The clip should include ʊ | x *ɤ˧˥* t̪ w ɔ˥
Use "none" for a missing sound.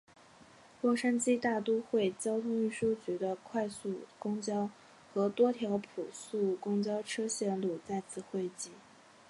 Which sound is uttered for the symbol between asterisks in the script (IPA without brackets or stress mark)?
ɤ˧˥